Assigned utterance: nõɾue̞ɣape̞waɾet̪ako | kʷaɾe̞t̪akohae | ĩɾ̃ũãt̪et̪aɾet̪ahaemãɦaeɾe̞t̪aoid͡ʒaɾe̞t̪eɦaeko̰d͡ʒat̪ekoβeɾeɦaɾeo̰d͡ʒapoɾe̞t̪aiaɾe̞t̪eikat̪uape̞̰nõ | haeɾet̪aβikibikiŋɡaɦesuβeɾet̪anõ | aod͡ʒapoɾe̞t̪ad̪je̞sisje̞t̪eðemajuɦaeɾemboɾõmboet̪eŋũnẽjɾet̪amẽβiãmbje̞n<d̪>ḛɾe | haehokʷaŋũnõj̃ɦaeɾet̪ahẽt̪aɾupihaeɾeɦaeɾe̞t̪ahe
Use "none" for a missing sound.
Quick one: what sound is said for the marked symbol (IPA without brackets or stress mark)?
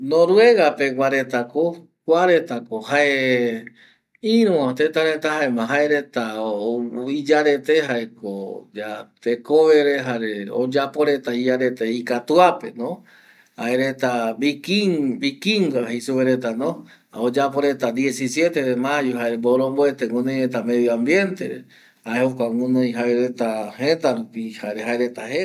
t̪